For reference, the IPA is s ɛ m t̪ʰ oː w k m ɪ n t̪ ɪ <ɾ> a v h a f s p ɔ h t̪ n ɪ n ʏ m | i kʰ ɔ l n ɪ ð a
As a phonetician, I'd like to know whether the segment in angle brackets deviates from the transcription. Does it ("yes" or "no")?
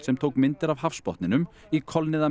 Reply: no